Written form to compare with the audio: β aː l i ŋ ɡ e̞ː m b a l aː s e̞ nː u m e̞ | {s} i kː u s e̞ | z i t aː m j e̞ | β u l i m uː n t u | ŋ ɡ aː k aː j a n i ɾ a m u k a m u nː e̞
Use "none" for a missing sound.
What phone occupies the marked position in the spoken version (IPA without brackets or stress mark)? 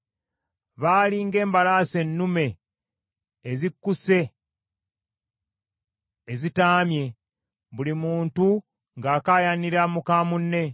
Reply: z